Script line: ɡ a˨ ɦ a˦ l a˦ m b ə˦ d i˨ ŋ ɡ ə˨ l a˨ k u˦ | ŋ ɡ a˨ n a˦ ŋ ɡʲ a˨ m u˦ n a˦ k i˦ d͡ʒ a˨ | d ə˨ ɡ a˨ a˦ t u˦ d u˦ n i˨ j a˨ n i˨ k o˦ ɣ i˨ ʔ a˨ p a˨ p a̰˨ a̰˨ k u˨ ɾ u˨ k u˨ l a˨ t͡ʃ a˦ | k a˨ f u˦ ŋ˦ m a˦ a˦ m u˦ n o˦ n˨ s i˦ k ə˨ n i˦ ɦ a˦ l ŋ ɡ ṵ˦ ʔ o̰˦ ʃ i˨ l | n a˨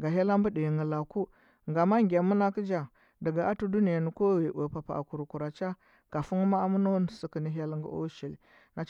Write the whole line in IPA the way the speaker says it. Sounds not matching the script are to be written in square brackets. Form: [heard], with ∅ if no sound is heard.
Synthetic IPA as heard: ɡ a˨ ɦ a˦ l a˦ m b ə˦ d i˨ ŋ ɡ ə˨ l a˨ k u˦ | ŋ ɡ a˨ [m] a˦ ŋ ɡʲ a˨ m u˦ n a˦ k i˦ d͡ʒ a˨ | d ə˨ ɡ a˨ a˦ t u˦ d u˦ n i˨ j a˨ n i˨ k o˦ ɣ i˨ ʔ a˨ p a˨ p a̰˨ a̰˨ k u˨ ɾ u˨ k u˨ [ɾ] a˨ t͡ʃ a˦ | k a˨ f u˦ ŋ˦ m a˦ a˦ m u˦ n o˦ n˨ s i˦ k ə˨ n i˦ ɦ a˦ l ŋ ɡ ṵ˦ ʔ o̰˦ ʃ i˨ l | n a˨